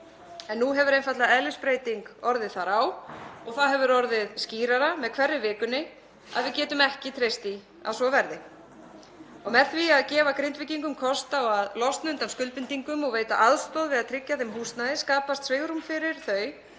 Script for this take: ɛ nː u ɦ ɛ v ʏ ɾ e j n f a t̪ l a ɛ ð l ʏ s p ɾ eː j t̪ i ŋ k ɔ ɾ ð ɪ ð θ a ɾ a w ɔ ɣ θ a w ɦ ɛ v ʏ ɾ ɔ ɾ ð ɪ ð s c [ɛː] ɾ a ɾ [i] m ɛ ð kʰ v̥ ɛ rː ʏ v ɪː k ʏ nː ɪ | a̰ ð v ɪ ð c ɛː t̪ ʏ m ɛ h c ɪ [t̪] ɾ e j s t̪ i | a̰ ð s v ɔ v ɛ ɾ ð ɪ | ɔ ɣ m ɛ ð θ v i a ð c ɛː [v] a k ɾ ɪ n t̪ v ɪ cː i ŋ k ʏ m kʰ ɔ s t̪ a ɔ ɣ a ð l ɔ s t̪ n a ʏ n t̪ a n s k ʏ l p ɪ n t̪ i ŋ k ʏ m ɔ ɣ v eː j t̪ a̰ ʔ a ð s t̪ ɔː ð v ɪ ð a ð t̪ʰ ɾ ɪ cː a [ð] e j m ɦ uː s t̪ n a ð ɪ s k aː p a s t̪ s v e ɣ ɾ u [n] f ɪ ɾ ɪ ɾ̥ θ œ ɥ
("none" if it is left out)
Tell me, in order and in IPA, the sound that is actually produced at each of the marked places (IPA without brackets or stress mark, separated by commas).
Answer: iː, a, t̪ʰ, v, θ, m